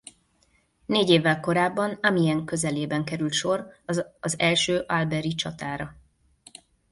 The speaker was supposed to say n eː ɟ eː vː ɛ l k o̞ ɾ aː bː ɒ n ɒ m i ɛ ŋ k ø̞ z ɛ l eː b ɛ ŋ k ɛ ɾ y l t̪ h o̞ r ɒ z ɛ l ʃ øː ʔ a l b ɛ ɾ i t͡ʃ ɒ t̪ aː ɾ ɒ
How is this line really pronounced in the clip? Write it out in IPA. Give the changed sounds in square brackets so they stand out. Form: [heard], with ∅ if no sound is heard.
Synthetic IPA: n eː ɟ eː vː ɛ l k o̞ ɾ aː bː ɒ n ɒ m i ɛ ŋ k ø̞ z ɛ l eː b ɛ ŋ k ɛ ɾ y l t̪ [ʃ] o̞ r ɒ z ɛ l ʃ øː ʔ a l b ɛ ɾ i t͡ʃ ɒ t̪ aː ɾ ɒ